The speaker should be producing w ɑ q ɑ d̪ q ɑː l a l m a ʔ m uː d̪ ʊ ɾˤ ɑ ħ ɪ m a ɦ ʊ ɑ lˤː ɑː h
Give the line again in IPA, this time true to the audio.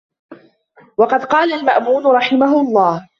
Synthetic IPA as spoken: w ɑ q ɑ d̪ q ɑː l a l m a ʔ m uː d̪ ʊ ɾˤ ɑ ħ ɪ m a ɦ ʊ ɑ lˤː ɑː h